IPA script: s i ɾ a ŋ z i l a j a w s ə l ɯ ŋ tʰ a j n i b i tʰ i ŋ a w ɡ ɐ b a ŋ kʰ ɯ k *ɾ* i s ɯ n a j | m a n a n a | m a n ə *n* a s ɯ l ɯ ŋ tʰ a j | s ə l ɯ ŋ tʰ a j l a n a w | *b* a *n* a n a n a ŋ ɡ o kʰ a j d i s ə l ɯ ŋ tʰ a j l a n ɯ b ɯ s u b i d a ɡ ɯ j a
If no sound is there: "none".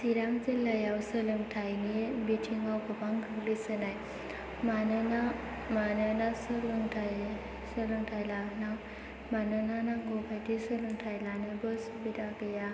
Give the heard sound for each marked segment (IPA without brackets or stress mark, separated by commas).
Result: l, n, m, n